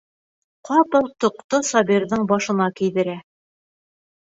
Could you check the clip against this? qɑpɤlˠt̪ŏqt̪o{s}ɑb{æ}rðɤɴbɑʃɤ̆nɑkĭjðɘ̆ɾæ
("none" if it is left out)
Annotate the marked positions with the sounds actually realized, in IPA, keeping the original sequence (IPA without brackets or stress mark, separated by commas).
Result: s, i